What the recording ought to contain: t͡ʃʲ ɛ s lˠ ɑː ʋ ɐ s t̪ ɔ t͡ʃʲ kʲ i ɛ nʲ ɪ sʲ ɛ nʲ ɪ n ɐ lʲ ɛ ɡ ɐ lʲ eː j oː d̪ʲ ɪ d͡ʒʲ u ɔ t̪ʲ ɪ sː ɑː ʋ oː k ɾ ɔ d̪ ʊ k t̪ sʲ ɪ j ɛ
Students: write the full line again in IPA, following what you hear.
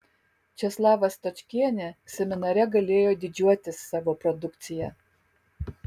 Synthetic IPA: t͡ʃʲ ɛ s lˠ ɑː ʋ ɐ s t̪ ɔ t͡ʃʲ kʲ i ɛ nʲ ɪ sʲ ɛ mʲ ɪ n ɐ ɾʲ ɛ ɡ ɐ lʲ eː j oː d̪ʲ ɪ d͡ʒʲ u ɔ t̪ʲ ɪ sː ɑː ʋ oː p ɾ ɔ d̪ ʊ k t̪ sʲ ɪ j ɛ